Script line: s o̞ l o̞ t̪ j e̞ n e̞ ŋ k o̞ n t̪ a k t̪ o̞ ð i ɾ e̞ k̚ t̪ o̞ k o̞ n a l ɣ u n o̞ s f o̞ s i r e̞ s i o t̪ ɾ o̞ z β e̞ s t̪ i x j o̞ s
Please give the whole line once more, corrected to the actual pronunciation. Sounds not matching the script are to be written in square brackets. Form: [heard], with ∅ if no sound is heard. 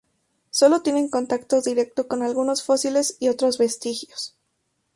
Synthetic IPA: s o̞ l o̞ t̪ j e̞ n e̞ ŋ k o̞ n t̪ a k t̪ o̞ ð i ɾ e̞ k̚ t̪ o̞ k o̞ n a l ɣ u n o̞ s f o̞ s i [l] e̞ s i o t̪ ɾ o̞ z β e̞ s t̪ i x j o̞ s